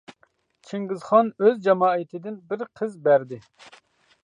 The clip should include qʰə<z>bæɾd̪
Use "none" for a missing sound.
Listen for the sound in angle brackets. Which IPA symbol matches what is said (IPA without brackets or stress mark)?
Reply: z